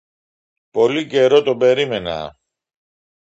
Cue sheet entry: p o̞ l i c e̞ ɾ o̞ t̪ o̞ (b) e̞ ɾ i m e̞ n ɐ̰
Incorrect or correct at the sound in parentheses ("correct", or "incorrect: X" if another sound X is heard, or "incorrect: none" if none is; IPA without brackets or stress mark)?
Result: correct